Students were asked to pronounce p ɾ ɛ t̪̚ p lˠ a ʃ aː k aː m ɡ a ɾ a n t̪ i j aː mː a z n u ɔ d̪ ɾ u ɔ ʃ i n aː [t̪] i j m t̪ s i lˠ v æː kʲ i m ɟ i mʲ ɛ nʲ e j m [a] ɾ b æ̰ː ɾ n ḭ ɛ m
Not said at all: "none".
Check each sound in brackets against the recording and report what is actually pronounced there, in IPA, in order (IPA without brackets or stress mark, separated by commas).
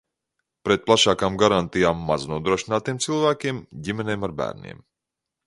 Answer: t̪, a